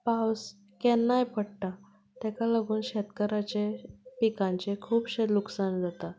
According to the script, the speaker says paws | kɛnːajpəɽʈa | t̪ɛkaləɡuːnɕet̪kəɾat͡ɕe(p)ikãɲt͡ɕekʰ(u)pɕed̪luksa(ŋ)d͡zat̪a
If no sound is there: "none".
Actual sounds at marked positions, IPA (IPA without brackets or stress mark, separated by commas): p, uː, n